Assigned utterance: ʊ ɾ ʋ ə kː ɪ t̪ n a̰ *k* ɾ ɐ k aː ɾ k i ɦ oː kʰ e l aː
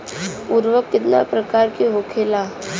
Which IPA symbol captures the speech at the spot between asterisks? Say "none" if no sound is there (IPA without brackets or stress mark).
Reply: p